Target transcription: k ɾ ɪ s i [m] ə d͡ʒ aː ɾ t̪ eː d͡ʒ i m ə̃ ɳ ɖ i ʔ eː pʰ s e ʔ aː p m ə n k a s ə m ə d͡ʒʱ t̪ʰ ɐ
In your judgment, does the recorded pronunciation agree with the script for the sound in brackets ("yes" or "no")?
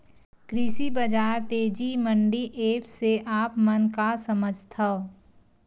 no